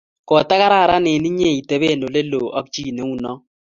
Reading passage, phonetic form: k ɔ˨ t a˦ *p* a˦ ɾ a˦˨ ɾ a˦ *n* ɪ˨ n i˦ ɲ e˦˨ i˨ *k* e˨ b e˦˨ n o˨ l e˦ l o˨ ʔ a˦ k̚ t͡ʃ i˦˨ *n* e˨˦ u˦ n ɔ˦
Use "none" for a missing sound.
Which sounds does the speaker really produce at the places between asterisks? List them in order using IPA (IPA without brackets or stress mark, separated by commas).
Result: k, n, t, n